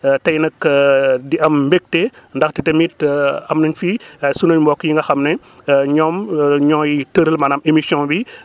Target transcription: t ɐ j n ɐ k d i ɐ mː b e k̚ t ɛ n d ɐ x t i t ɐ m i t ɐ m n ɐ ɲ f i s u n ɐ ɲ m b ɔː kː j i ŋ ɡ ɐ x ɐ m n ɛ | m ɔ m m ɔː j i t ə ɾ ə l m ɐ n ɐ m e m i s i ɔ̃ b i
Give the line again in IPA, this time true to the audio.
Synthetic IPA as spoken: t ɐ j n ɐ k d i ɐ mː b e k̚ t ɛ n d ɐ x t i t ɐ m i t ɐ m n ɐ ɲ f i s u n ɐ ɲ m b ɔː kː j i ŋ ɡ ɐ x ɐ m n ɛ | ɲ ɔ m ɲ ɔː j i t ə ɾ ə l m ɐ n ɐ m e m i s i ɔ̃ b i